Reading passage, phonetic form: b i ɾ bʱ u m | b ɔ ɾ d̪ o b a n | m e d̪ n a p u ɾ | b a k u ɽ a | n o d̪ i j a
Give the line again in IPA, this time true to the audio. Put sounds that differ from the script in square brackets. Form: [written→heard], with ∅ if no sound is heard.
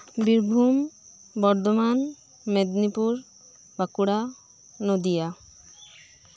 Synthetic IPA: b i ɾ bʱ u m | b ɔ ɾ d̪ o [b→m] a n | m e d̪ n [a→i] p u ɾ | b a k u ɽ a | n o d̪ i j a